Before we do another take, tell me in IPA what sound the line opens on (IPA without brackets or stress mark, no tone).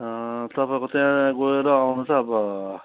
t̪